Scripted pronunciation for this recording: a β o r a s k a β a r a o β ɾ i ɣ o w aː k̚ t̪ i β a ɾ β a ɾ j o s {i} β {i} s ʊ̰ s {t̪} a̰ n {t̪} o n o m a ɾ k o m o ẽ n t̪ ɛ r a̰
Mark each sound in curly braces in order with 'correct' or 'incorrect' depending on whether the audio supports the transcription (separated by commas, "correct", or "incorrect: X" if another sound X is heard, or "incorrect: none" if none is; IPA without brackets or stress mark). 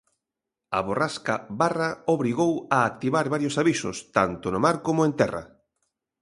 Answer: incorrect: a, correct, correct, correct